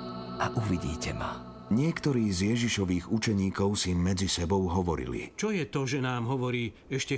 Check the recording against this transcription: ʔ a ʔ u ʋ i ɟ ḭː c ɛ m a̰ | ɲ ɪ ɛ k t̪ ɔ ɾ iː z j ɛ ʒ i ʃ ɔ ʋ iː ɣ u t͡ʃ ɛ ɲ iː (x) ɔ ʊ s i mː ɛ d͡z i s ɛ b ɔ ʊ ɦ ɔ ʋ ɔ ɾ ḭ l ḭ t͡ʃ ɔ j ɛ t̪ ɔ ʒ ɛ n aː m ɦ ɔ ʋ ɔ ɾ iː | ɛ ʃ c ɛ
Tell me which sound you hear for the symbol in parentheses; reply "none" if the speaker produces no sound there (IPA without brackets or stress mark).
k